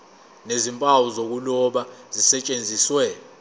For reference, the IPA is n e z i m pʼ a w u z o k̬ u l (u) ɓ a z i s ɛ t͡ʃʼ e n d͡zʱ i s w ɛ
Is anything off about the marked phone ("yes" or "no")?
yes